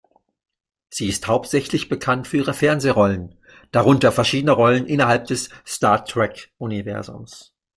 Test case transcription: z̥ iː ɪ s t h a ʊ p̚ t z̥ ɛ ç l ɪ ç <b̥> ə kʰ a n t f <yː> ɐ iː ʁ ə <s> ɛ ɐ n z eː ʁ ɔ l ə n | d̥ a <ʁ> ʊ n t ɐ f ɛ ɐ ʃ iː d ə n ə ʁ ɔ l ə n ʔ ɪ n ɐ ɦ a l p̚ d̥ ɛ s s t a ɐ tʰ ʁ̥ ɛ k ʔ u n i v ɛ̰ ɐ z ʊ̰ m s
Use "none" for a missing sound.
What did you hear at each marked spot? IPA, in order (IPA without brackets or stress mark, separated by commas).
b̥, yː, f, ʁ